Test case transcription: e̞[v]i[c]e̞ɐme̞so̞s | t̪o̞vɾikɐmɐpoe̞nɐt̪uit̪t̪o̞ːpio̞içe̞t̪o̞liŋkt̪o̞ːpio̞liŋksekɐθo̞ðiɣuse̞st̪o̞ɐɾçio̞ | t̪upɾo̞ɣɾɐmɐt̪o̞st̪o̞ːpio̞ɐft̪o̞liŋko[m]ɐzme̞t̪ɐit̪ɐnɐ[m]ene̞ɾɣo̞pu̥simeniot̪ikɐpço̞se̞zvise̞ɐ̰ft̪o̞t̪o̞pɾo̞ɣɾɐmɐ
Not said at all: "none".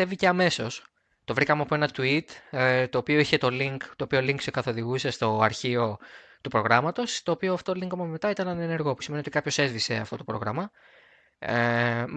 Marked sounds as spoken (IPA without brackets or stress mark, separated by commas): v, c, m, n